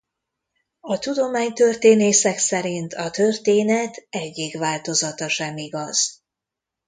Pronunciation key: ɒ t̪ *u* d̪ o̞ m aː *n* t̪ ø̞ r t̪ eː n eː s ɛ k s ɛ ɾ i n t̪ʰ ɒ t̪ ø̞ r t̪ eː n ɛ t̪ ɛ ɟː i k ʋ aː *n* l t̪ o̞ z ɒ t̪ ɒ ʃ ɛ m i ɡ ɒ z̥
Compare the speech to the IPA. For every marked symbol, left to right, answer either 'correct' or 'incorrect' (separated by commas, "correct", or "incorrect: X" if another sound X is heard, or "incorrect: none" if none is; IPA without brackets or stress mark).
correct, incorrect: ɲ, incorrect: none